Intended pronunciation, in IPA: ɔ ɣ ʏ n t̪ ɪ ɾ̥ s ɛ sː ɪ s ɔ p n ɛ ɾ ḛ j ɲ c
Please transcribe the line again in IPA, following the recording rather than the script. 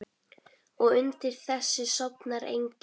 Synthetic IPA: ɔ ɣ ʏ n t̪ ɪ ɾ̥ θ ɛ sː ɪ s ɔ p n a ɾ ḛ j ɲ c